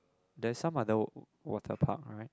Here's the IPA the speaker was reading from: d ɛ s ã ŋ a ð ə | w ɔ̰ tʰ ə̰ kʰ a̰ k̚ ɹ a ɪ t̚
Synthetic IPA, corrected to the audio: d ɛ s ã m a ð ə | w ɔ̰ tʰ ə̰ pʰ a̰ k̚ ɹ a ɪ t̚